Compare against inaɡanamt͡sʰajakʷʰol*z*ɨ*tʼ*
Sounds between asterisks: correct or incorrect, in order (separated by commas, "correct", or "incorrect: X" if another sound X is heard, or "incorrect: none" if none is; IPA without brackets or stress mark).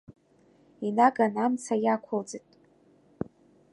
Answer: incorrect: d͡z, correct